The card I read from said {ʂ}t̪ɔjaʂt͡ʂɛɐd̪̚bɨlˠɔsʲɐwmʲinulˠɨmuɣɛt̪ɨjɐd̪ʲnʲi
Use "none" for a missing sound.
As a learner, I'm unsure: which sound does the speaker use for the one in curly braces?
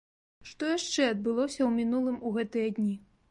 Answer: ʂ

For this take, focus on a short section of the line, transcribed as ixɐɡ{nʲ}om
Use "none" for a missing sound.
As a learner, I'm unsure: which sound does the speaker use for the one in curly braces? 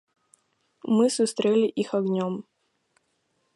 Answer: nʲ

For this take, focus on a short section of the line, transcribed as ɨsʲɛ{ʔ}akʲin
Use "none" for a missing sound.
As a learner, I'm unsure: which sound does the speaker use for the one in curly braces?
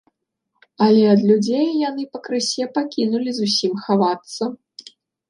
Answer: p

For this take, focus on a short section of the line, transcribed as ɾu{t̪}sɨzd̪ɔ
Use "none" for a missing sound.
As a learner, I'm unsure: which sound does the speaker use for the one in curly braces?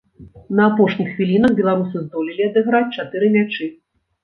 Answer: none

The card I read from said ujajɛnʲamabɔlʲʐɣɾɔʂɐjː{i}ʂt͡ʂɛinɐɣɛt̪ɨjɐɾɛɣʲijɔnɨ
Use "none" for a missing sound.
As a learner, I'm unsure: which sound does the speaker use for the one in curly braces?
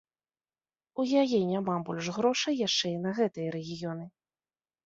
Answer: a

